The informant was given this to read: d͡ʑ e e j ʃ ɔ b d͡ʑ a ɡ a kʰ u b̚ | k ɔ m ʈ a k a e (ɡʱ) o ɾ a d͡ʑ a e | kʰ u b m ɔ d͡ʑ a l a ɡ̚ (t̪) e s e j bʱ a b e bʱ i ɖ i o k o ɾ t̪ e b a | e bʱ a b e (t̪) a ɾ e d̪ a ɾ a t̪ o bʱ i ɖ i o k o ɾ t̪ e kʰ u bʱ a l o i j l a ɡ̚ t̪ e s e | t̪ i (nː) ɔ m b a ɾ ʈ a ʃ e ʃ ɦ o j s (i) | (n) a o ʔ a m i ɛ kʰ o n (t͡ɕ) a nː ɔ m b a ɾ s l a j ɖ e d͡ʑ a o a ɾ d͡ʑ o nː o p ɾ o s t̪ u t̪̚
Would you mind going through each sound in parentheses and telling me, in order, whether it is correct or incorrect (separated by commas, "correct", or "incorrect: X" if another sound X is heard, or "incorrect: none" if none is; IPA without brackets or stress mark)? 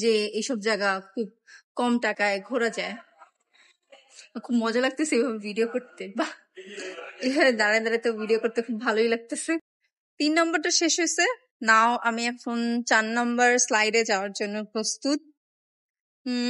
correct, correct, incorrect: d̪, correct, incorrect: e, correct, correct